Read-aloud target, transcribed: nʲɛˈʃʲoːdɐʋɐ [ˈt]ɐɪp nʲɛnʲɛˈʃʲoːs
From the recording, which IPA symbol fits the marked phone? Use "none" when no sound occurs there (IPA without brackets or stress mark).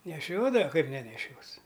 k